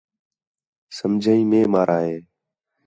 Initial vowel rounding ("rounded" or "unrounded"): unrounded